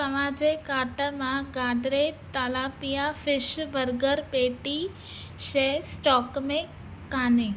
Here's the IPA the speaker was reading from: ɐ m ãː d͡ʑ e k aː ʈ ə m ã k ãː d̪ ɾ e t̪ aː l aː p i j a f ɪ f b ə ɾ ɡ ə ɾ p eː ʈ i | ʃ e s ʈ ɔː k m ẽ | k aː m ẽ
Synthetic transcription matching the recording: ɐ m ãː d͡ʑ e k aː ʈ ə m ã ɡ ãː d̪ ɾ e t̪ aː l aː p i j a f ɪ ʃ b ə ɾ ɡ ə ɾ p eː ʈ i | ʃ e s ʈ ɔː k m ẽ | k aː n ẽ